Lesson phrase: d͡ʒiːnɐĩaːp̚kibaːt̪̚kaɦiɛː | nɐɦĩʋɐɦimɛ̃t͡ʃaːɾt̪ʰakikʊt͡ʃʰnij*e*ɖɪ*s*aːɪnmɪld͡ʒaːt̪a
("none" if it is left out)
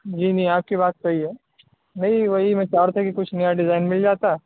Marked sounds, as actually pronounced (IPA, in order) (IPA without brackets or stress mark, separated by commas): a, z